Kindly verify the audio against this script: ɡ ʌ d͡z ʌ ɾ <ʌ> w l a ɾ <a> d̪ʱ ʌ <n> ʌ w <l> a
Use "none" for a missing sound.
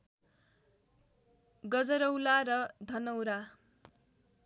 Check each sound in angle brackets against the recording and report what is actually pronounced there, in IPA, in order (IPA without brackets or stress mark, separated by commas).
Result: ʌ, ʌ, n, ɾ